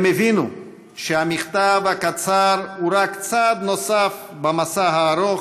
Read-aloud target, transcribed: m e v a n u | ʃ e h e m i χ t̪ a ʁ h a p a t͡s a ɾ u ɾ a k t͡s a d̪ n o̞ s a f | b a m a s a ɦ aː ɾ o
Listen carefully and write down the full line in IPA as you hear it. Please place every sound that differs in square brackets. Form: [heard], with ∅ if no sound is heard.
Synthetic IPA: m e v [i] n u | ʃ e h [a] m i χ t̪ a [v] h a [k] a t͡s a ɾ u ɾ a k t͡s a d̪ n o̞ s a f | b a m a s a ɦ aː ɾ o